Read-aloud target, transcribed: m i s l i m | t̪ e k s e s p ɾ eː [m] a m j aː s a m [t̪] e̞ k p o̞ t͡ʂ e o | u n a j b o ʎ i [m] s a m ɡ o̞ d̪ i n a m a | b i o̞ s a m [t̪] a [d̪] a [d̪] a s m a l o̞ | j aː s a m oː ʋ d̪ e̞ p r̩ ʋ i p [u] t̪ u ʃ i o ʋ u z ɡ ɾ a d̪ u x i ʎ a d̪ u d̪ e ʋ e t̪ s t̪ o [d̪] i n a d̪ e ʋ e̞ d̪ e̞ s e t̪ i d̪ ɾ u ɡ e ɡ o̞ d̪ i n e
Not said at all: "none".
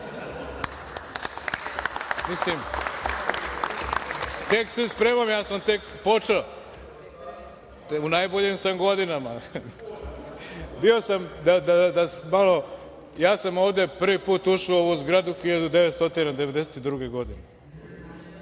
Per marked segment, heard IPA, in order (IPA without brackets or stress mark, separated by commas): m, t̪, m, d̪, d̪, d̪, uː, t̪